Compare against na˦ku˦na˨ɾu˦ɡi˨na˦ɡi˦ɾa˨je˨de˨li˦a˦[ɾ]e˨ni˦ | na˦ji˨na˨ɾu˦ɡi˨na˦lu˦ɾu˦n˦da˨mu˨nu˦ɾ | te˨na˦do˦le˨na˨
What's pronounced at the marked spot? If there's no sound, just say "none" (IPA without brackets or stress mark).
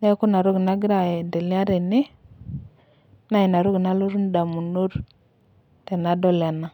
ɾ